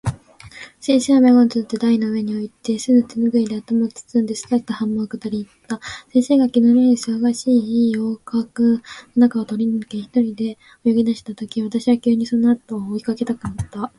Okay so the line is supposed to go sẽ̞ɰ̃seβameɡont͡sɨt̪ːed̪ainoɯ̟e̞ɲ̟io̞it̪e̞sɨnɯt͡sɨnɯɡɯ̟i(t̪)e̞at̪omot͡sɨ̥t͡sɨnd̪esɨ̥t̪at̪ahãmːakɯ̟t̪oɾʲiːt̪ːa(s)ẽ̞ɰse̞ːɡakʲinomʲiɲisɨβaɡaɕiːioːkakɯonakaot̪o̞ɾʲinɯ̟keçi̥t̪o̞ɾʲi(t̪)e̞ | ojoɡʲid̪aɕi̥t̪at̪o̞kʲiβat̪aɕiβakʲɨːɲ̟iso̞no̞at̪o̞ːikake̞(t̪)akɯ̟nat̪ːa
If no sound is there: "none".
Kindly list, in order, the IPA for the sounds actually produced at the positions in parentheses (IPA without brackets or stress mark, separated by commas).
d̪, s, d̪, t̪